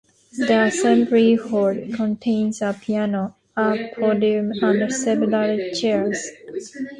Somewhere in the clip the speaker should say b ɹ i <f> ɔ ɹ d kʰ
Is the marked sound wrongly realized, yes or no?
yes